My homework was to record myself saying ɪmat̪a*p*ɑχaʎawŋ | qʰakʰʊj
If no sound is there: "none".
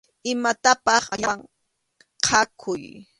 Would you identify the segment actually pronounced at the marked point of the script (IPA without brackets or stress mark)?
p